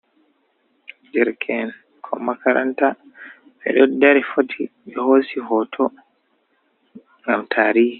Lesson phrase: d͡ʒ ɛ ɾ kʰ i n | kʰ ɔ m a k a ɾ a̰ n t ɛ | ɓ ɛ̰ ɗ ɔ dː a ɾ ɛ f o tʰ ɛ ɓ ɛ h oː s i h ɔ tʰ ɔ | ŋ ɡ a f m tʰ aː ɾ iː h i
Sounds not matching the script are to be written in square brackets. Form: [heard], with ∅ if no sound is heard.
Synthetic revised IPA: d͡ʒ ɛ ɾ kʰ [ɛ] n | kʰ ɔ m a k a ɾ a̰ n t [a] | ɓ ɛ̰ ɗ ɔ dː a ɾ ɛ f o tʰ [i] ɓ ɛ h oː s i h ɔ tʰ ɔ | ŋ ɡ a [∅] m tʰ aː ɾ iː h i